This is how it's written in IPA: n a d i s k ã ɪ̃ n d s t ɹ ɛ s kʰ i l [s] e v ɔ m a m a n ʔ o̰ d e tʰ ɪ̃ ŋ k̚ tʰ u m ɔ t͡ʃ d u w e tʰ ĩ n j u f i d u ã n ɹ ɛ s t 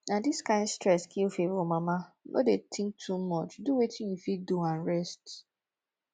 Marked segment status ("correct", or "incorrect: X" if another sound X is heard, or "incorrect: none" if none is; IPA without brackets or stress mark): incorrect: f